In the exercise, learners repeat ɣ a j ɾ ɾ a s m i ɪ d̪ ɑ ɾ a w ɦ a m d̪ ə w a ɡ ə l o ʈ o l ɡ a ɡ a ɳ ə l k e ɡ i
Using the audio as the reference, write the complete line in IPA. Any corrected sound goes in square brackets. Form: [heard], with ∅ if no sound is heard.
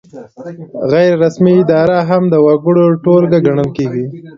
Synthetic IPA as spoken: ɣ a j ɾ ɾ a s m i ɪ d̪ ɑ ɾ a [∅] ɦ a m d̪ ə w a ɡ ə [ɽ] o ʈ o l ɡ a ɡ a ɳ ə l k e ɡ i